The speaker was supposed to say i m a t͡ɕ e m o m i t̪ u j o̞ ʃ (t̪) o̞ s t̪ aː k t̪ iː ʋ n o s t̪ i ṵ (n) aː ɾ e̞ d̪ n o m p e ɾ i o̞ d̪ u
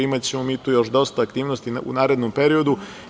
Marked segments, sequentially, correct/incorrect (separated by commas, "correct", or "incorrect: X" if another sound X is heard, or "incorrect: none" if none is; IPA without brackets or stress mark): incorrect: d̪, correct